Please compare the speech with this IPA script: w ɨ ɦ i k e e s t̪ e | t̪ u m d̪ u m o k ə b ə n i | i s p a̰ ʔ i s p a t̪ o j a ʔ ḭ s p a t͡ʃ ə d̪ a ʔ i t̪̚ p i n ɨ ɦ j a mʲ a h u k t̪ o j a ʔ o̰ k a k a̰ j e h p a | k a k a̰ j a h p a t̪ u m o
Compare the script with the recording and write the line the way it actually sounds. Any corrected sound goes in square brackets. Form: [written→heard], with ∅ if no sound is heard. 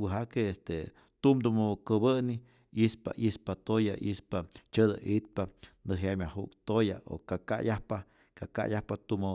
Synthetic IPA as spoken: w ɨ ɦ [i→a] k e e s t̪ e | t̪ u m d̪ u m o k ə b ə n i | i s p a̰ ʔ i s p a t̪ o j a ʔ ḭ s p a t͡ʃ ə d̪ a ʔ i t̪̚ p [i→a] n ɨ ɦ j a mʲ a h u k t̪ o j a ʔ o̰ k a k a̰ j [e→a] h p a | k a k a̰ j a h p a t̪ u m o